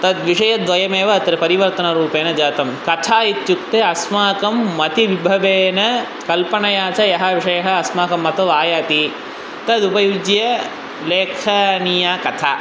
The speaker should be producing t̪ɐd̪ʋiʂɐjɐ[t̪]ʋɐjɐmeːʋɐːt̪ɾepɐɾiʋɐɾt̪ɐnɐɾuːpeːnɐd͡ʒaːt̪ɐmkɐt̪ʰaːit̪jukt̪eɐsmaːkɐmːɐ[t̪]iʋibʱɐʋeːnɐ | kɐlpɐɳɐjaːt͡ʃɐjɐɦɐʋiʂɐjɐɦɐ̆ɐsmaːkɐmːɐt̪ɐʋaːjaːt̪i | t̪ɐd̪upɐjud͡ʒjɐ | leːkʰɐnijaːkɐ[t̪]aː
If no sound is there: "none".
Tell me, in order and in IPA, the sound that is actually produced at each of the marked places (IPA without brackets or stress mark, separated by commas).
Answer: d̪, t̪, t̪ʰ